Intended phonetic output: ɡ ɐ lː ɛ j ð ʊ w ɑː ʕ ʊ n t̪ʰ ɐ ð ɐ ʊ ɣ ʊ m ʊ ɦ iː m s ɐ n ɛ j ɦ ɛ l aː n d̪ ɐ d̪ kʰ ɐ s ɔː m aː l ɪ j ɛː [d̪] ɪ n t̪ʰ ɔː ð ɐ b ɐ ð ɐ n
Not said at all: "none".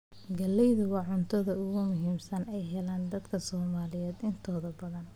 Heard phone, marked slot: d̪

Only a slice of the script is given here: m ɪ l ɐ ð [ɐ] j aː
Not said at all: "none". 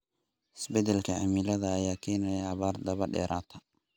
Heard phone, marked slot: ɐː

